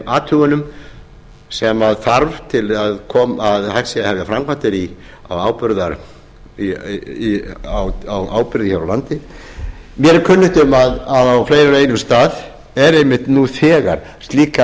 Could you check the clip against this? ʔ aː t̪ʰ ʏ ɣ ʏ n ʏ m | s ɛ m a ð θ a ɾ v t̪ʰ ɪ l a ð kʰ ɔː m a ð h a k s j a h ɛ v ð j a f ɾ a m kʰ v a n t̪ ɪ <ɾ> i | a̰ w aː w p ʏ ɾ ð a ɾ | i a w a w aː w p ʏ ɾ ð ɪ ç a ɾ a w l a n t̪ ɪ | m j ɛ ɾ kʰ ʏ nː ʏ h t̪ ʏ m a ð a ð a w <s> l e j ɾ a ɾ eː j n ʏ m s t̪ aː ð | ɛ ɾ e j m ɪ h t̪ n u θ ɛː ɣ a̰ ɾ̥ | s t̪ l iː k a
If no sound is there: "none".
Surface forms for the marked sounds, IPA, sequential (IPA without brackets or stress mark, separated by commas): ɾ, f